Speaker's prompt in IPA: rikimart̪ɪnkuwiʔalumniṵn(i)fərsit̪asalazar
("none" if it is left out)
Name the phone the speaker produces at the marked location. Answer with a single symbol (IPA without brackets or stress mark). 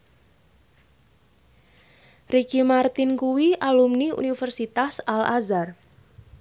i